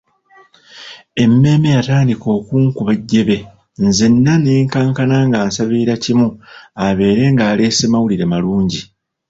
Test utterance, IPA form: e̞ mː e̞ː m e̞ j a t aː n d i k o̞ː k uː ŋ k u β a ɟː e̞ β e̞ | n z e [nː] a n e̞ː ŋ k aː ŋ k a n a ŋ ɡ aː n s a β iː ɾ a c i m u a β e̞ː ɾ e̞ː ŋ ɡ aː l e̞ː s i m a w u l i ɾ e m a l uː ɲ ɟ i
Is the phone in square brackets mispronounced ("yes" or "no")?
no